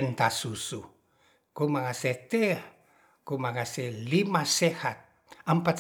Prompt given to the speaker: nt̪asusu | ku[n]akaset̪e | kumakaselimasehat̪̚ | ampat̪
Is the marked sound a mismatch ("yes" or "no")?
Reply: yes